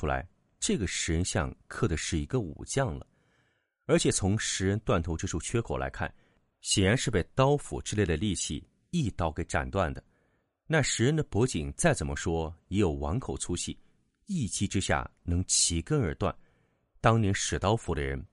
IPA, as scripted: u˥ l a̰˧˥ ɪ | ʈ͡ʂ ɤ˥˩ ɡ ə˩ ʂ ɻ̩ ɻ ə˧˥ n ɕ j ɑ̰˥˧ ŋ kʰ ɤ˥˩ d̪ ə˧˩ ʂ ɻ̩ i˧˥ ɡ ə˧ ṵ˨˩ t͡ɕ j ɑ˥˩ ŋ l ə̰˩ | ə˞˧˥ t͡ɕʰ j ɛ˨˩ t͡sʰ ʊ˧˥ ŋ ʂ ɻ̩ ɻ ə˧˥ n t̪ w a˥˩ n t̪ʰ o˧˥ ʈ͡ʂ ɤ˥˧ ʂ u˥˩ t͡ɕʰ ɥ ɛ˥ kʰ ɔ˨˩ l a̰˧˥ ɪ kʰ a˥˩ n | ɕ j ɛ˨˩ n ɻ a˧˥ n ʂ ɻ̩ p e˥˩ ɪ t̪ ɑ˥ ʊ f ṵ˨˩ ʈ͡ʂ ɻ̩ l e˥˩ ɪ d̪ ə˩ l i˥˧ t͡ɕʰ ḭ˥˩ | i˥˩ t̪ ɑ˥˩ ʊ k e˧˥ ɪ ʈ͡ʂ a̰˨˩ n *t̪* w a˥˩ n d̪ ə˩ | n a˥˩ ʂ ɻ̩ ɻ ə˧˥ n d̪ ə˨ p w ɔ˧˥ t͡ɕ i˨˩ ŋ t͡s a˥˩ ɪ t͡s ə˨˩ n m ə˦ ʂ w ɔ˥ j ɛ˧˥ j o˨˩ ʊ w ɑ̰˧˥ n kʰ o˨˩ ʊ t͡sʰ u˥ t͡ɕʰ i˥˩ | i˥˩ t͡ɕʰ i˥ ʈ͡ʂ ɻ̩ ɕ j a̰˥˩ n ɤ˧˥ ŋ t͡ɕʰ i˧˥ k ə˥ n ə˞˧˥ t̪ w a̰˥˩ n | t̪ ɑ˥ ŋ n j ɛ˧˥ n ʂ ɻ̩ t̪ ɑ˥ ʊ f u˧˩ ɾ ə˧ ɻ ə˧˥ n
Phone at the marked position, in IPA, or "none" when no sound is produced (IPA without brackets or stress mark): t̪